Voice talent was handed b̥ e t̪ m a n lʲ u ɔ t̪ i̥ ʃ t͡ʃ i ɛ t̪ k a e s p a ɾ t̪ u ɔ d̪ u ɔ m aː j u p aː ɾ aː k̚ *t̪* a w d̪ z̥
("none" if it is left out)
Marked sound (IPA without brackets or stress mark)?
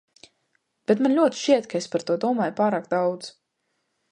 d̪